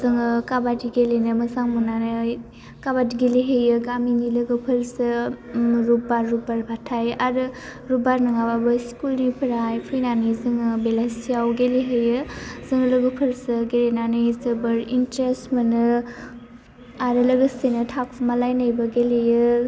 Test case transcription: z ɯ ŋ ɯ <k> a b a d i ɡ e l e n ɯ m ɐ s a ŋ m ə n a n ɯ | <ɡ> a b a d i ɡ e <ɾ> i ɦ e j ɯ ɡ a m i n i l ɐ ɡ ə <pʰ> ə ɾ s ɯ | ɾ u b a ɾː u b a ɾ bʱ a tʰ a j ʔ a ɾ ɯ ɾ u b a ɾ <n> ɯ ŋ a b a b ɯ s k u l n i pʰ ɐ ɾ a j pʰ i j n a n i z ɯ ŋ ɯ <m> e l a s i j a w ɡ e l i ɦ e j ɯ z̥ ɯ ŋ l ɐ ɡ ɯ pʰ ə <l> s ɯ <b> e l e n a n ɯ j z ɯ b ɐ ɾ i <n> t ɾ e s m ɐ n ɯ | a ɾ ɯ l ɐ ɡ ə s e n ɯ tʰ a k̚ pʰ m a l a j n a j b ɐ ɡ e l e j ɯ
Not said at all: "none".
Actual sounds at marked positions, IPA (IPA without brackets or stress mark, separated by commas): k, k, l, pʰ, n, b, ɾ, ɡ, n